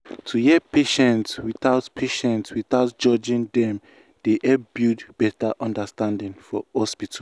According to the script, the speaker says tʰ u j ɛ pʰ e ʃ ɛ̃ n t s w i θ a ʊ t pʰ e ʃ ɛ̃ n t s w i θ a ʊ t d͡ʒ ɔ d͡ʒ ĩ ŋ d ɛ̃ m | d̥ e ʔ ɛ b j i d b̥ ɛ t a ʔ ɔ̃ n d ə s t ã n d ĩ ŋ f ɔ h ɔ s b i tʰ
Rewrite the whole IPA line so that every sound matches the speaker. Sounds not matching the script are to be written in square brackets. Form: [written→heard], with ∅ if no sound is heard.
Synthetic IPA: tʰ u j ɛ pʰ e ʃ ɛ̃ n t s w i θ a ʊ t pʰ e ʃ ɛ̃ n t s w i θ a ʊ t d͡ʒ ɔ d͡ʒ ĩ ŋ d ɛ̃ m | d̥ e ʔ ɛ b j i d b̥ ɛ t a ʔ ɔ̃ n d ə s t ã n d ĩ ŋ f ɔ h ɔ s [b→p] i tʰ